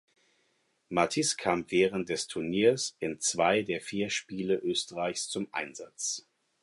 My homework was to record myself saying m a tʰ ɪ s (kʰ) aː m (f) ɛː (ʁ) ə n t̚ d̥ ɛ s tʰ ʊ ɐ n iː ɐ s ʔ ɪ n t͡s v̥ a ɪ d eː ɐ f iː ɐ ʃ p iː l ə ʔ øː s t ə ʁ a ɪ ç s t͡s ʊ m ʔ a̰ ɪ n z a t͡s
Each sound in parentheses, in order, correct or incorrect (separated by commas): correct, incorrect, correct